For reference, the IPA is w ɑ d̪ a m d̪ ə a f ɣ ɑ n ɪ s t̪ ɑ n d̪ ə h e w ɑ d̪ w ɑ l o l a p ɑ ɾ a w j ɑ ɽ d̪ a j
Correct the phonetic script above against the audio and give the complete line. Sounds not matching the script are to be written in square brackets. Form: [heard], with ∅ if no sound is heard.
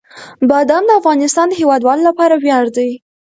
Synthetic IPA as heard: [b] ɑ d̪ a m d̪ ə a f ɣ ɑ n ɪ s t̪ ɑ n d̪ ə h e w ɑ d̪ w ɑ l o l a p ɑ ɾ a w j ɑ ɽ d̪ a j